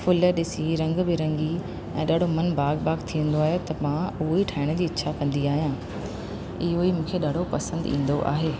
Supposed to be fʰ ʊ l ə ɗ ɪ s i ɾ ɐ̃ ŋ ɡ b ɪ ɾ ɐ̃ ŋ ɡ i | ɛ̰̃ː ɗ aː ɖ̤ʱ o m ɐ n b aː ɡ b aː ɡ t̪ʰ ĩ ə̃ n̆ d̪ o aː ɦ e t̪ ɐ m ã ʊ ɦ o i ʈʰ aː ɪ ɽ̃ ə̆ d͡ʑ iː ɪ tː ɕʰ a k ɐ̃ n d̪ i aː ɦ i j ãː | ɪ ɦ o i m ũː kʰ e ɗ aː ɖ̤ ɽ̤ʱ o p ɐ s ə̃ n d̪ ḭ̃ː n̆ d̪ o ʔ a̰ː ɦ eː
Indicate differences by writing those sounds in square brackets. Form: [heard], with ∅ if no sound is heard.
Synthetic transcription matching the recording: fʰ ʊ l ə ɗ ɪ s i ɾ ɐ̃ ŋ ɡ b ɪ ɾ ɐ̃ ŋ ɡ i | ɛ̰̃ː ɗ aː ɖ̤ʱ o m ɐ n b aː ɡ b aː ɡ t̪ʰ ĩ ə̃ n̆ d̪ o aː ɦ e t̪ ɐ m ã ʊ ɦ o i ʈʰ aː ɪ ɽ̃ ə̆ d͡ʑ iː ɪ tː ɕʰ a k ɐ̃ n d̪ i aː ɦ i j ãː | ɪ ɦ o i m ũː kʰ e ɗ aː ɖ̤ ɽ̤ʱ o p ɐ s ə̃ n d̪ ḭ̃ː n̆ d̪ o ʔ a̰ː ɦ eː